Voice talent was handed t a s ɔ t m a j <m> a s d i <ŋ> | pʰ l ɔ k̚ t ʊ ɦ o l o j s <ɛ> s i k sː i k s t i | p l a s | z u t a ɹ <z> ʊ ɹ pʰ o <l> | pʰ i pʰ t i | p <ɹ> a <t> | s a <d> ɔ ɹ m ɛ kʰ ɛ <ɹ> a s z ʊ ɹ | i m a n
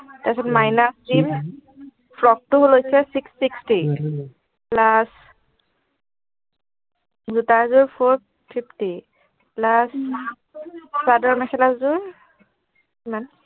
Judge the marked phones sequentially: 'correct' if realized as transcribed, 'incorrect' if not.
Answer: incorrect: n, incorrect: m, correct, correct, incorrect: ɹ, incorrect: l, incorrect: s, correct, incorrect: l

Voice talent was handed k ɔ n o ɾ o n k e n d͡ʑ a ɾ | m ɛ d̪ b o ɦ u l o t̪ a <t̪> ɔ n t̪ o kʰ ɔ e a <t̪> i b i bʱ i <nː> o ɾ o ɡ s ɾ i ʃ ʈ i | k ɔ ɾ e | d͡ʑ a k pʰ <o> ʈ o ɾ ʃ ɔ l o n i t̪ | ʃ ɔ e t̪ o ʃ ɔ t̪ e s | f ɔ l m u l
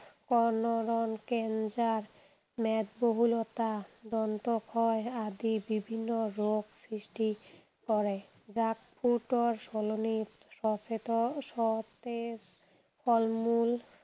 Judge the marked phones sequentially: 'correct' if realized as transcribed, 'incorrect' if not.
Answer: incorrect: d̪, incorrect: d̪, correct, incorrect: u

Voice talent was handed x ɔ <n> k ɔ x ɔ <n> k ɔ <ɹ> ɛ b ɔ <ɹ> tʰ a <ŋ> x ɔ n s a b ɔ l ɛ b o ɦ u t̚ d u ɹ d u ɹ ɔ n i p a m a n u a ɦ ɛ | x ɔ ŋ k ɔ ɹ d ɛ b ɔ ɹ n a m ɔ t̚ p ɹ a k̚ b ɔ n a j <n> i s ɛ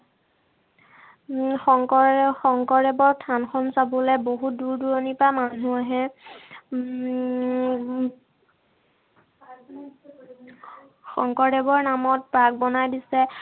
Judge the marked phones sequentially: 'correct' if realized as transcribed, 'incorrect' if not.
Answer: incorrect: ŋ, incorrect: ŋ, correct, correct, incorrect: n, incorrect: d

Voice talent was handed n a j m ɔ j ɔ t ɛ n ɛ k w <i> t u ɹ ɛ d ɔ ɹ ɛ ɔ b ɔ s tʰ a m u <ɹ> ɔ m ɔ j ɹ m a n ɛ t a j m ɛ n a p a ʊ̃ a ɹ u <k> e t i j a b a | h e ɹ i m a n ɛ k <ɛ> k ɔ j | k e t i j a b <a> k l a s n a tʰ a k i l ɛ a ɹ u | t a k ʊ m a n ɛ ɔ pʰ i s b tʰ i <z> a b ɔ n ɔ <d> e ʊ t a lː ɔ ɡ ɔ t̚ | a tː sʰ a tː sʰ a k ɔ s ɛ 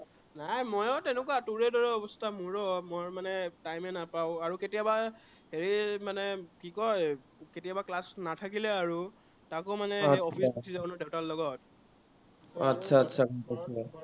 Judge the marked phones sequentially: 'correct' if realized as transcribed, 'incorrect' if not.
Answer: incorrect: a, correct, correct, incorrect: i, correct, correct, correct

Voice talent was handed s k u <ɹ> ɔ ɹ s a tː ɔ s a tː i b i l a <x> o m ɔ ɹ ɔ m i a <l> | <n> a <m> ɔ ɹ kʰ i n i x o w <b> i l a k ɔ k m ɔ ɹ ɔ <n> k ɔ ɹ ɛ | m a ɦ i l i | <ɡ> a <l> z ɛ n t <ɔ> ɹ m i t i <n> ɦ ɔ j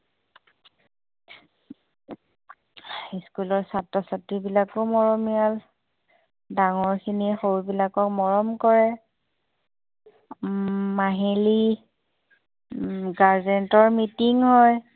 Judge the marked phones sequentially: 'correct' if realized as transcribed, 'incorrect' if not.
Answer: incorrect: l, incorrect: k, correct, incorrect: d, incorrect: ŋ, correct, incorrect: m, correct, incorrect: ɹ, correct, incorrect: ŋ

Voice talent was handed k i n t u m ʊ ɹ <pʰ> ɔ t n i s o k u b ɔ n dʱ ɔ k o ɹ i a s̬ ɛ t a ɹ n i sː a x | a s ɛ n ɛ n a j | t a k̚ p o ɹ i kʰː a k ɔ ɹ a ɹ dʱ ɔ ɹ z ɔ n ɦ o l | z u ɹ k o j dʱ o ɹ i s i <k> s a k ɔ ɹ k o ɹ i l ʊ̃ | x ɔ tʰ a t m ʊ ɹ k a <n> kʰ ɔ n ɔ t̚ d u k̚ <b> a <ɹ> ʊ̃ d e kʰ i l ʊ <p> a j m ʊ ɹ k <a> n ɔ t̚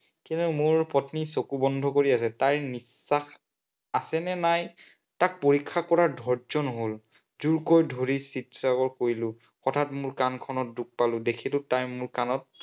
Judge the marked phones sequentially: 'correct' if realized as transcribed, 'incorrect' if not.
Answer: incorrect: p, incorrect: t, correct, incorrect: p, incorrect: l, incorrect: t, correct

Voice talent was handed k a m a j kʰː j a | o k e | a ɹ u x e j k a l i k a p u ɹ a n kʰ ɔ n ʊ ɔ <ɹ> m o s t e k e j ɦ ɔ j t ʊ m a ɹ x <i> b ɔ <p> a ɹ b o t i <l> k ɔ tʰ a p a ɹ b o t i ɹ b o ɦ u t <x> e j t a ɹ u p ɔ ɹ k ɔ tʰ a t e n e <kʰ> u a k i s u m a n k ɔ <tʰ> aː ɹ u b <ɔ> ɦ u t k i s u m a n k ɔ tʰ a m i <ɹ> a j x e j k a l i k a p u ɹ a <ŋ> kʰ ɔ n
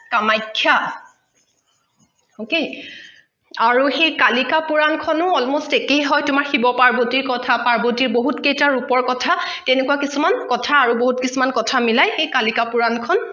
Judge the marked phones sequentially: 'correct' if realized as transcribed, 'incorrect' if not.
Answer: incorrect: l, correct, correct, incorrect: ɹ, incorrect: k, incorrect: k, correct, incorrect: o, incorrect: l, incorrect: n

